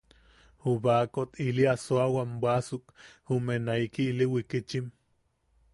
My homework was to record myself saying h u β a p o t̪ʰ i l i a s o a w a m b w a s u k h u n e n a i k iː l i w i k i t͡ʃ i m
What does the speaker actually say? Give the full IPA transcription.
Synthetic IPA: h u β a k o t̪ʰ i l i a s o a w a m b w a s u k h u m e n a i k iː l i w i k i t͡ʃ i m